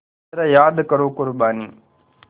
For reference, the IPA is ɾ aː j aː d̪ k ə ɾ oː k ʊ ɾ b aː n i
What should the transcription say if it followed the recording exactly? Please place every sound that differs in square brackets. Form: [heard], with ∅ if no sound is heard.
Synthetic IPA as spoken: ɾ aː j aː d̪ k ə ɾ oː k ʊ ɾ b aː n [iː]